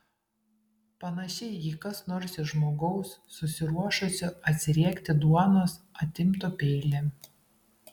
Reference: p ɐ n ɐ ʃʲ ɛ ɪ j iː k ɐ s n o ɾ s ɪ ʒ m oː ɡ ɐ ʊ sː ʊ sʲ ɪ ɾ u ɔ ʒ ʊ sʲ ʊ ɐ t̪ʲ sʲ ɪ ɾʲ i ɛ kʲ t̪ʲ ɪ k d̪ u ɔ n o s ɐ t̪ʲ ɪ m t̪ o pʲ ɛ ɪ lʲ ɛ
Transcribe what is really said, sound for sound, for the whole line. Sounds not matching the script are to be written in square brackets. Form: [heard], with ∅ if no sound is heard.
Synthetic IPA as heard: p ɐ n ɐ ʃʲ ɛ ɪ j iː k ɐ s n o ɾ s ɪ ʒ m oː ɡ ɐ ʊ sː ʊ sʲ ɪ ɾ u ɔ [ʃ] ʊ sʲ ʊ ɐ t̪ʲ sʲ ɪ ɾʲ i ɛ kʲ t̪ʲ ɪ [∅] d̪ u ɔ n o s ɐ t̪ʲ ɪ m t̪ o pʲ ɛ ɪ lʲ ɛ